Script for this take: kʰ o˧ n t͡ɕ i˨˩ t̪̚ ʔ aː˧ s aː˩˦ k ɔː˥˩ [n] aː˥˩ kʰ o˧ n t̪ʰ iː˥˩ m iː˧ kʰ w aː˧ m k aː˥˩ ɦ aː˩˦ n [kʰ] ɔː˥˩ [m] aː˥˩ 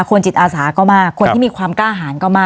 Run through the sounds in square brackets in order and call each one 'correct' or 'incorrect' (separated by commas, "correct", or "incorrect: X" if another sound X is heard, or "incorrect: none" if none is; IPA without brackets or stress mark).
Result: incorrect: m, incorrect: k, correct